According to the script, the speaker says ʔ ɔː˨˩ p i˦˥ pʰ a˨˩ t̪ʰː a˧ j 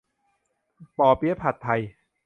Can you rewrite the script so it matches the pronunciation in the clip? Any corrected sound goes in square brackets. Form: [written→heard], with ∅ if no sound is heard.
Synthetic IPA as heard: [ʔ→p] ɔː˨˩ p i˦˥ pʰ a˨˩ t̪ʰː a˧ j